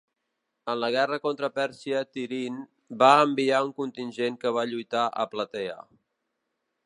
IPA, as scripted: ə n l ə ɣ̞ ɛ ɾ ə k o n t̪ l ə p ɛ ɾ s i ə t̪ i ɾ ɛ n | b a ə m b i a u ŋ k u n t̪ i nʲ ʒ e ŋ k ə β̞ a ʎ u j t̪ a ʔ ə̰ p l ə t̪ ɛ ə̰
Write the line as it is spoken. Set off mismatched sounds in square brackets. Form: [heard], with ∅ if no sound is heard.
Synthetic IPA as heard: ə n l ə ɣ̞ ɛ [r] ə k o n t̪ [ɾ] ə p ɛ ɾ s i ə t̪ i ɾ [i] n | b a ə m b i a u ŋ k u n t̪ i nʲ ʒ e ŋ k ə β̞ a ʎ u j t̪ a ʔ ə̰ p l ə t̪ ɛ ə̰